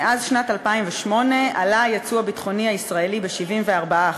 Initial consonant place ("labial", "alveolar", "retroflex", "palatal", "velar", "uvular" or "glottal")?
alveolar